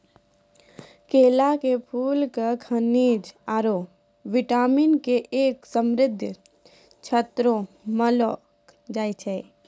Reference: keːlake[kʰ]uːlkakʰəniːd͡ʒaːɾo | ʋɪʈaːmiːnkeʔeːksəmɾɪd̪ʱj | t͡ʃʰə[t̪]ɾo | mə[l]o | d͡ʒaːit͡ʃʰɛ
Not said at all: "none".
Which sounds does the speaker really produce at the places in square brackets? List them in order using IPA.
pʰ, t̪, l

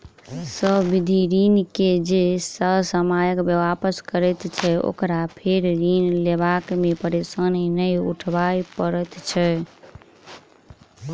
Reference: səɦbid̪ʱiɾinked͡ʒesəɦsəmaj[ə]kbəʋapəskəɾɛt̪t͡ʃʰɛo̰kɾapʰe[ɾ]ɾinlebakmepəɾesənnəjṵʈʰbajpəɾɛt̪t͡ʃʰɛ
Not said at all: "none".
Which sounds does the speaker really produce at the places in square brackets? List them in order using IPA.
ə, ɾ

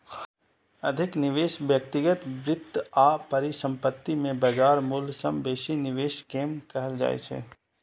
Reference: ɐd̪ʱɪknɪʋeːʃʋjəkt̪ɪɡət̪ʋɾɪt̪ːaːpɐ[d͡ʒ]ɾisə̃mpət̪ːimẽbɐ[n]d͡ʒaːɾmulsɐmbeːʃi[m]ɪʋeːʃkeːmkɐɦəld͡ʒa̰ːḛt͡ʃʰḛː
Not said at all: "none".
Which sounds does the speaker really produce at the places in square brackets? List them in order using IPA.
none, none, n

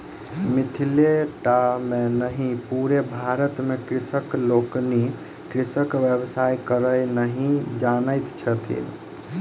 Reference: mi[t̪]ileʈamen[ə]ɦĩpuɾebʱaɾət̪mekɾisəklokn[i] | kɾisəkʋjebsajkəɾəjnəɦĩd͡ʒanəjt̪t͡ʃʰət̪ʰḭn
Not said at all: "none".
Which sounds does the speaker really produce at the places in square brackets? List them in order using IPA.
t̪ʰ, ə, i

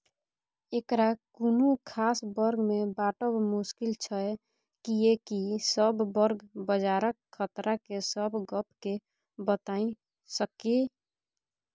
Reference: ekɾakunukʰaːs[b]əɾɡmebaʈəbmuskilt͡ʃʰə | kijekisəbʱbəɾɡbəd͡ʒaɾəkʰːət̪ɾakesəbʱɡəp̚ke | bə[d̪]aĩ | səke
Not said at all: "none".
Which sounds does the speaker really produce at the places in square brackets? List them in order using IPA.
b, t̪

